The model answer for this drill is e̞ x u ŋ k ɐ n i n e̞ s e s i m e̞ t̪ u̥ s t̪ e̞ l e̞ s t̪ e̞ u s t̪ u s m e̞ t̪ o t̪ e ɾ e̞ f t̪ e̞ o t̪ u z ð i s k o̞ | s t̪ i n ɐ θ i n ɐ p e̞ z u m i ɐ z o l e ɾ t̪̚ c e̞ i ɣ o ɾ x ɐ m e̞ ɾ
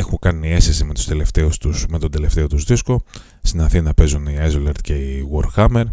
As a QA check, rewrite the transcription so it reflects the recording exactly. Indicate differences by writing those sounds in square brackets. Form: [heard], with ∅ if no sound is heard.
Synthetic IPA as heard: e̞ x u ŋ k ɐ n i [∅] e̞ s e s i m e̞ t̪ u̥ s t̪ e̞ l e̞ [f] t̪ e̞ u s t̪ u s m e̞ t̪ o [d̪] e [l] e̞ f t̪ e̞ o t̪ u z ð i s k o̞ | s t̪ i n ɐ θ i n ɐ p e̞ z u [n] i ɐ z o l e ɾ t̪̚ c e̞ i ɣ o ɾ x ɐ m e̞ ɾ